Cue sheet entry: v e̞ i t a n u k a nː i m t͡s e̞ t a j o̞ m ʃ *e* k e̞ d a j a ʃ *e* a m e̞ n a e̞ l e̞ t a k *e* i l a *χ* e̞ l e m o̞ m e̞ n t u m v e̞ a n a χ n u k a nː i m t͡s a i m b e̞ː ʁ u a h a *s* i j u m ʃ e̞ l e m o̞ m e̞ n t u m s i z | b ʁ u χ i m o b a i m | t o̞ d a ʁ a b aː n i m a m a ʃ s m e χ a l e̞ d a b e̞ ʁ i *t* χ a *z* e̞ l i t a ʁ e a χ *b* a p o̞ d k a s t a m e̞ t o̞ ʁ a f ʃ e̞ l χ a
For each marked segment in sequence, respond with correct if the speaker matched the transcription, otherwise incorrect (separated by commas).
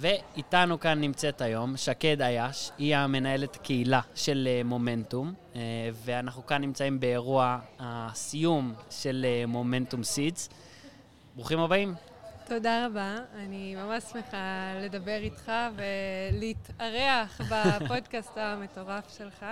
incorrect, incorrect, correct, incorrect, correct, correct, incorrect, correct